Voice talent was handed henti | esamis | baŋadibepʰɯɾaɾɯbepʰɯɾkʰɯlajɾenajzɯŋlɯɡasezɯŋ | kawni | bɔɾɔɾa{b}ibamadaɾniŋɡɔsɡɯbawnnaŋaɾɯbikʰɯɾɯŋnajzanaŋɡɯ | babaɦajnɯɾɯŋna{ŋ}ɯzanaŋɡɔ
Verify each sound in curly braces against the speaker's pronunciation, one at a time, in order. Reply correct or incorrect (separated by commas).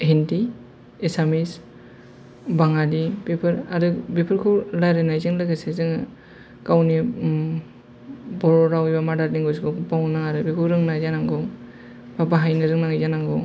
incorrect, correct